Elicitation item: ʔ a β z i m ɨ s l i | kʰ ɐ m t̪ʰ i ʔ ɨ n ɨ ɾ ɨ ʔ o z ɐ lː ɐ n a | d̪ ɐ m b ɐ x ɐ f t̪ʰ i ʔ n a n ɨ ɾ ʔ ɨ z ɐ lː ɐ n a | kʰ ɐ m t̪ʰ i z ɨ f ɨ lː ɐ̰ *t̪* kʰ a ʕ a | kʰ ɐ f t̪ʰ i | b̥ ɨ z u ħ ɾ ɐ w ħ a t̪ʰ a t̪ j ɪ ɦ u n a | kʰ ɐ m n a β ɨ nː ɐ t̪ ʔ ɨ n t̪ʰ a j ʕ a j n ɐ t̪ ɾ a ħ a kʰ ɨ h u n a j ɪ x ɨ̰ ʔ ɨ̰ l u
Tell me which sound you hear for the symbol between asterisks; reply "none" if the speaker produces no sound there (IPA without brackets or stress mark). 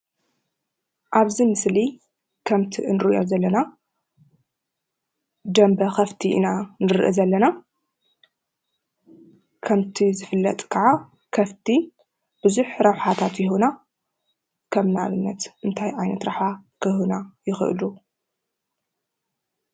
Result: t̪ʼ